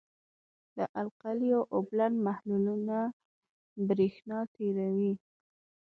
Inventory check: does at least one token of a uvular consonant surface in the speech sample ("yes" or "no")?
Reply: yes